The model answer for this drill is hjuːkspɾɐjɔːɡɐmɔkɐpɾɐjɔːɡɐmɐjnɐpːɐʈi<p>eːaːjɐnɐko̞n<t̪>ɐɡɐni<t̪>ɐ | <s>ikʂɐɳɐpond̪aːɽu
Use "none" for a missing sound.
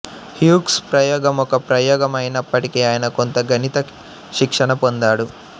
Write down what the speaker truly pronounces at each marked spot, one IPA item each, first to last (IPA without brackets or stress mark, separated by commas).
k, t̪, t̪, ʃ